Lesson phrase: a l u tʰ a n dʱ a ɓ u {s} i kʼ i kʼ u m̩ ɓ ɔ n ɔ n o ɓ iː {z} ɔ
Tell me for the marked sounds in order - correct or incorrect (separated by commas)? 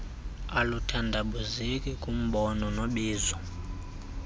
incorrect, correct